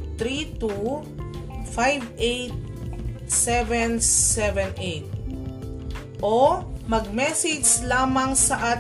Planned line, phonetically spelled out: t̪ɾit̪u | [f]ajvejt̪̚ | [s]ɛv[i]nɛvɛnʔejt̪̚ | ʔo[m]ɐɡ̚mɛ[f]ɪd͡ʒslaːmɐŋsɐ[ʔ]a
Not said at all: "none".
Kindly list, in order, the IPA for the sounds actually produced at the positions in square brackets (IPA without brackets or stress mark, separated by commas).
f, s, ɛ, m, s, ʔ